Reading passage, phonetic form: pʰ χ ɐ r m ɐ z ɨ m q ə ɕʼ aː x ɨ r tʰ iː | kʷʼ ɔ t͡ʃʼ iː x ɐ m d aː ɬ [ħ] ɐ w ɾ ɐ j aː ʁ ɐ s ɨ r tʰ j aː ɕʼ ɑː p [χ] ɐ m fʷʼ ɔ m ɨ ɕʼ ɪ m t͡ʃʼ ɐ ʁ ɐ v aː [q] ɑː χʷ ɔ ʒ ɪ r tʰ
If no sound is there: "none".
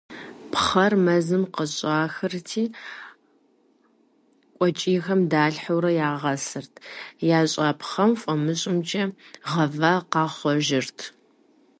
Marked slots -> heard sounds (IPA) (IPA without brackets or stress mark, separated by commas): ħ, χ, q